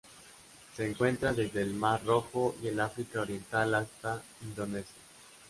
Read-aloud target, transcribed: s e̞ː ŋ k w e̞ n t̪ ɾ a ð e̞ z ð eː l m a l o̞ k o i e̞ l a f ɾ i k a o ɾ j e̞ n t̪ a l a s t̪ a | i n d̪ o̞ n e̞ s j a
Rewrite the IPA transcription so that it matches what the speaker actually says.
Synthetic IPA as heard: s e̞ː ŋ k w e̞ n t̪ ɾ a ð e̞ z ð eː l m a r o̞ x o i e̞ l a f ɾ i k a o ɾ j e̞ n t̪ a l a s t̪ a | i n d̪ o̞ n e̞ s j a